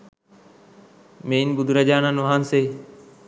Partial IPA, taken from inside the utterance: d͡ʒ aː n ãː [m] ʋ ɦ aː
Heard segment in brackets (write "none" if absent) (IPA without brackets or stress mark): n